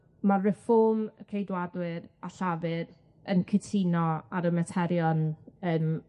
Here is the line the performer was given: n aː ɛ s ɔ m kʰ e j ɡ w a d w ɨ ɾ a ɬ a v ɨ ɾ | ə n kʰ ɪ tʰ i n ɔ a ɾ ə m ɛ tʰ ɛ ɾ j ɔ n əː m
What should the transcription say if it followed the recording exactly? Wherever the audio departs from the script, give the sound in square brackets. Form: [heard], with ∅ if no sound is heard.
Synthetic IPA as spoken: [m] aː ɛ [f] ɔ m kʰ e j [d] w a d w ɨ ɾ a ɬ a v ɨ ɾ | ə n kʰ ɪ tʰ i n ɔ a ɾ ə m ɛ tʰ ɛ ɾ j ɔ n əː m